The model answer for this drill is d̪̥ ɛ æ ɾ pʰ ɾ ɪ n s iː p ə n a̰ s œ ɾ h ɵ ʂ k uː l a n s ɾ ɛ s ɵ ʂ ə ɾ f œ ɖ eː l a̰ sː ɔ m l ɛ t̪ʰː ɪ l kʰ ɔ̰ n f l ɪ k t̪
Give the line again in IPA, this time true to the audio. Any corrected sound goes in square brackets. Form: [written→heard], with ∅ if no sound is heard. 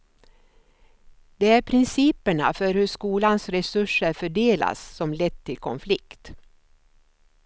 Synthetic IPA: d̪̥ ɛ æ ɾ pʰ ɾ ɪ n s iː p ə [n→ɳ] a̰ [s→f] œ ɾ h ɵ ʂ k uː l a n s ɾ ɛ s ɵ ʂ ə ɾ f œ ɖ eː l a̰ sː ɔ m l ɛ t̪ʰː ɪ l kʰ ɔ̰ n f l ɪ k t̪